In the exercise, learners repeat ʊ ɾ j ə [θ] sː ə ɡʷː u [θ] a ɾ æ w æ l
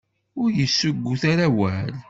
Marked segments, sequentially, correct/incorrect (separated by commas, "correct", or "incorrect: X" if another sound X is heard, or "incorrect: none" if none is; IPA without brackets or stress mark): incorrect: none, correct